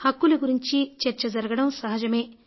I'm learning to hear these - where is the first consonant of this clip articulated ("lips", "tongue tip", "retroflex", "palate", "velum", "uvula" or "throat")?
throat